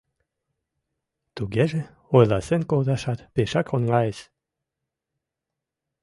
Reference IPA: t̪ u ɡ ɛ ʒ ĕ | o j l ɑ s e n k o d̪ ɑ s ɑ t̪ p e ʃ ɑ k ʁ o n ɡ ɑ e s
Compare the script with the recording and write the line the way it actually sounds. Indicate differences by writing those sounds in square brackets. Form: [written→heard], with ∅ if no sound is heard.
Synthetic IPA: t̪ u ɡ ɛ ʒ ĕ | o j l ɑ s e n k o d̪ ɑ [s→ʃ] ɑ t̪ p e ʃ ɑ k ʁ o n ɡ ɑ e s

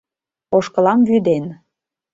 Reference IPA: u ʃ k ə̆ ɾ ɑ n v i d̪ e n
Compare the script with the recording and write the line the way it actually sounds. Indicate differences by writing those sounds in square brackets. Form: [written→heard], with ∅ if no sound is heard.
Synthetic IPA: [u→o] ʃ k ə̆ [ɾ→l] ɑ [n→m] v [i→y] d̪ e n

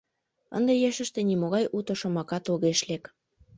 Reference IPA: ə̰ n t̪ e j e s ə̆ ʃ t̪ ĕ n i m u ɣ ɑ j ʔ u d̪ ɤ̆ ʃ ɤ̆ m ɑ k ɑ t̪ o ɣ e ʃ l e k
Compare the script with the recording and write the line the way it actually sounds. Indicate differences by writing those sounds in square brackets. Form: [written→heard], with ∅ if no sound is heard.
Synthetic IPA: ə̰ n [t̪→d̪] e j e [s→ʃ] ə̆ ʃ t̪ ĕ n i m [u→o] ɣ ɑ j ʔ u [d̪→t̪] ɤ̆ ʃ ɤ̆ m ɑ k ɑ t̪ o ɣ e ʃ l e k

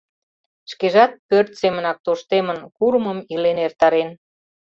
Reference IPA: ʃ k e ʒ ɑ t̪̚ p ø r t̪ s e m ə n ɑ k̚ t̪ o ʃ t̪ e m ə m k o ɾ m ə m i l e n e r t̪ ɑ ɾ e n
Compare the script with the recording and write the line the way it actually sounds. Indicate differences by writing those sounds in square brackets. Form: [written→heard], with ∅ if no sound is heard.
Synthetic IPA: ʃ k e ʒ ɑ t̪̚ p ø r t̪ s e m ə n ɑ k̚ t̪ o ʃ t̪ e m ə [m→n] k [o→u] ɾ m ə m i l e n e r t̪ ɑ ɾ e n

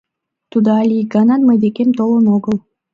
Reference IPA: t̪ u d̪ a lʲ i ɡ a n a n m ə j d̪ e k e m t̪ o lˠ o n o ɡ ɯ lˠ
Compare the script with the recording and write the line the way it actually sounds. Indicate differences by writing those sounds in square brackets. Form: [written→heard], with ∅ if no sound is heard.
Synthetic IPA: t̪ u d̪ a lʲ i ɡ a n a n m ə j d̪ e k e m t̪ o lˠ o n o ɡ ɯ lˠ

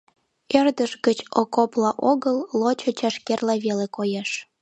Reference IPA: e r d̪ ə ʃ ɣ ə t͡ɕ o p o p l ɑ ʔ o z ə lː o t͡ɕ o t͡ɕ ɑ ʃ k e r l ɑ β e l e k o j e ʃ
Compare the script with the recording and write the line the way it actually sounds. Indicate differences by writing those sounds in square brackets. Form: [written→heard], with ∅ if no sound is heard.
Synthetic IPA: e r d̪ ə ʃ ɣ ə t͡ɕ o [p→k] o p l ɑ ʔ o [z→ɣ] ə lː o t͡ɕ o t͡ɕ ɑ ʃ k e r l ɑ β e l e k o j e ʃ

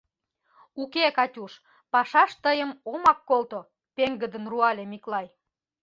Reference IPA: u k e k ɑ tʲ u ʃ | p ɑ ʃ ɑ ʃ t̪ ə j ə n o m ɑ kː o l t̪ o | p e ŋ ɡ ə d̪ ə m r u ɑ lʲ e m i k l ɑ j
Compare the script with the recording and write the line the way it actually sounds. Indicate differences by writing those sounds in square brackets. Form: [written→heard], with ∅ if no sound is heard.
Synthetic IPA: u k e k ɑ tʲ u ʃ | p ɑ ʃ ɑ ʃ t̪ ə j ə [n→m] o m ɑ kː o l t̪ o | p e ŋ ɡ ə d̪ ə [m→n] r u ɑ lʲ e m i k l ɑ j

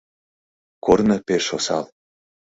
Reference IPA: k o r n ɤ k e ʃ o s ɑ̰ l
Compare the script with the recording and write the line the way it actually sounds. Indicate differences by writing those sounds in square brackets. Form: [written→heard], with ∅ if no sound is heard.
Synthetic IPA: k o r n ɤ [k→p] e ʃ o s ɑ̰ l

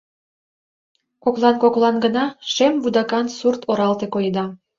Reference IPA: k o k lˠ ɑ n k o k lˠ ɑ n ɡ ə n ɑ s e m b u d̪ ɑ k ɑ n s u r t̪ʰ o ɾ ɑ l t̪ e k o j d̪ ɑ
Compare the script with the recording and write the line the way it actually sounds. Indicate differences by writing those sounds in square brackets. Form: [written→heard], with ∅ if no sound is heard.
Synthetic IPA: k o k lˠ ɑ n k o k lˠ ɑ n ɡ ə n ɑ [s→ʃ] e m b u d̪ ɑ k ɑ n s u r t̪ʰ o ɾ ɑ l t̪ e k o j d̪ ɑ

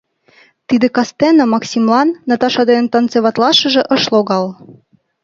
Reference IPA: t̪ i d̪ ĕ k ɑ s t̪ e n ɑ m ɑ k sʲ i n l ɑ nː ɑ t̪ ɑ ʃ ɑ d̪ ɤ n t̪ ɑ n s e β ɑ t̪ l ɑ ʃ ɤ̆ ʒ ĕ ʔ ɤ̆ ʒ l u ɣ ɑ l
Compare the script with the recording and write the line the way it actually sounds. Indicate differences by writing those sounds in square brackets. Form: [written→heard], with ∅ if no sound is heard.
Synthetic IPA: t̪ i d̪ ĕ k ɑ s t̪ e n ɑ m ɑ k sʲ i [n→m] l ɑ nː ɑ t̪ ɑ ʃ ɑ d̪ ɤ n t̪ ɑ n [s→t͡s] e β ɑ t̪ l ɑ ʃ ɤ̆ ʒ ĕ ʔ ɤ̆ [ʒ→ʃ] l [u→o] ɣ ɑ l

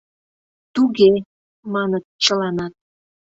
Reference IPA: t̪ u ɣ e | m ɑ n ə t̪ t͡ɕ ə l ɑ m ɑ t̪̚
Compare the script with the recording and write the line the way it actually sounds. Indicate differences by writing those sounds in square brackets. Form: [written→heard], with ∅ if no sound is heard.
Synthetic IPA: t̪ u ɣ e | m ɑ n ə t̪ t͡ɕ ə l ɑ [m→n] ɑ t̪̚

